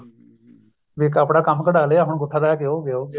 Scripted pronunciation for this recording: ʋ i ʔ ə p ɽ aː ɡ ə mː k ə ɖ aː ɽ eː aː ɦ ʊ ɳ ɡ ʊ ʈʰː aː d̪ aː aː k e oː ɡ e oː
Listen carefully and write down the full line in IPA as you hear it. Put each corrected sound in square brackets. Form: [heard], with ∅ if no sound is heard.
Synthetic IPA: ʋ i [k] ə p ɽ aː [k] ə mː k ə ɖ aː [l] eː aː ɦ ʊ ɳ ɡ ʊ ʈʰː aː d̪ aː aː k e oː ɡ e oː